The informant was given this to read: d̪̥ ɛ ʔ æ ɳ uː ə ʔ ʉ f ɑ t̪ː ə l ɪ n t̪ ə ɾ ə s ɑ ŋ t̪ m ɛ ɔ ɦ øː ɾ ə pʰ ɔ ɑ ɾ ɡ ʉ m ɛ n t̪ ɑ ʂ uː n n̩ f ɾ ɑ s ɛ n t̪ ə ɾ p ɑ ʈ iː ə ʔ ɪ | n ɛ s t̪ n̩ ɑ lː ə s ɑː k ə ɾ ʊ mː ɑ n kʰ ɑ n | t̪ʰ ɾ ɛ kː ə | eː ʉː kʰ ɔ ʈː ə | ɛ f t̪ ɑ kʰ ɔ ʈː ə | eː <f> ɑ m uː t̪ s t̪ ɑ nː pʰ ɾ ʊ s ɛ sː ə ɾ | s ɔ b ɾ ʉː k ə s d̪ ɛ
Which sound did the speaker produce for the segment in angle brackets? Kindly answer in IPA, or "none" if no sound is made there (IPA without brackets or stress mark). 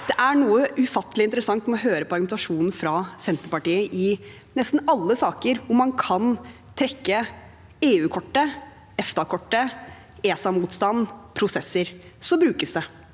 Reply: s